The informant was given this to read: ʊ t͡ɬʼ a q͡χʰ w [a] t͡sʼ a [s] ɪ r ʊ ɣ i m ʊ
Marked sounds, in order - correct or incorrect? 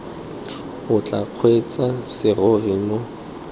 incorrect: e, correct

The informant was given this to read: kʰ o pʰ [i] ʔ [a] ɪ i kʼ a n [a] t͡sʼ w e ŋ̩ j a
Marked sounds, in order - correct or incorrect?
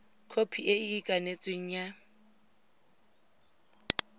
correct, incorrect: e, incorrect: e

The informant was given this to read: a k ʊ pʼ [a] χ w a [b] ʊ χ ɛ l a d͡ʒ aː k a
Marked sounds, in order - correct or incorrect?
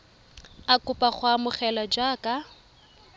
correct, incorrect: m

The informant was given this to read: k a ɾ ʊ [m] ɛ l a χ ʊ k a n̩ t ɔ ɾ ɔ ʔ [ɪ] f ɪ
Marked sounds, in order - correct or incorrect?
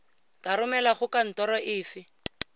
correct, incorrect: ɪː

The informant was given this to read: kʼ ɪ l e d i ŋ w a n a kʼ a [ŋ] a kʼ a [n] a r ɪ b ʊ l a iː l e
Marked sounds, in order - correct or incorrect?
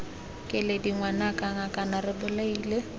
correct, correct

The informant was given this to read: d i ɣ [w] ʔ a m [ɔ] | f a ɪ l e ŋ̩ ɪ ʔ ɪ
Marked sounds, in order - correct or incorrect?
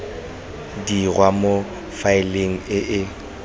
correct, incorrect: o

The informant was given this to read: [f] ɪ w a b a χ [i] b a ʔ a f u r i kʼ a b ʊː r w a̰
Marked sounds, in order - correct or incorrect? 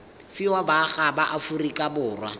correct, incorrect: a

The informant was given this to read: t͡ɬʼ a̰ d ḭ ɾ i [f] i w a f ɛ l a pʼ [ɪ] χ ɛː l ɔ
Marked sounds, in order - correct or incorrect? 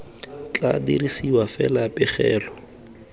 incorrect: s, correct

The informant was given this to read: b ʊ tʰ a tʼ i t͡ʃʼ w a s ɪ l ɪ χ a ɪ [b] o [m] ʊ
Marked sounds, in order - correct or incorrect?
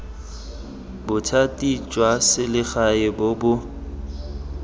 correct, incorrect: b

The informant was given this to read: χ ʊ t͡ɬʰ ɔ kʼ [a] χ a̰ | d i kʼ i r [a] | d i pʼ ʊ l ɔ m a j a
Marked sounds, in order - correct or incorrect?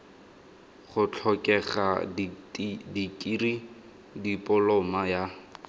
incorrect: ɛ, incorrect: i

